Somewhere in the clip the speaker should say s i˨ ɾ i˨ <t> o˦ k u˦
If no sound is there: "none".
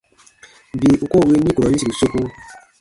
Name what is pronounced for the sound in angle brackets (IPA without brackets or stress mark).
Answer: s